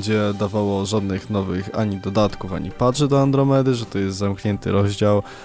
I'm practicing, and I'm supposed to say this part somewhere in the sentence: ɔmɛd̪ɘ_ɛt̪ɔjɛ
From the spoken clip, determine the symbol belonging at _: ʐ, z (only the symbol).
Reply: ʐ